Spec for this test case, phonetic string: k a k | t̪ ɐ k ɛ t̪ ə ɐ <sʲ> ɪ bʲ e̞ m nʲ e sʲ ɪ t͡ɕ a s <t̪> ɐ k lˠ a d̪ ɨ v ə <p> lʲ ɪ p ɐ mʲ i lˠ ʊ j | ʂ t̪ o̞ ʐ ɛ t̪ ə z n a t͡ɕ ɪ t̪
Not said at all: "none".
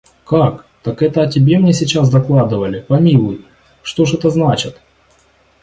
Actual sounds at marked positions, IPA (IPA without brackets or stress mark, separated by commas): tʲ, d̪, none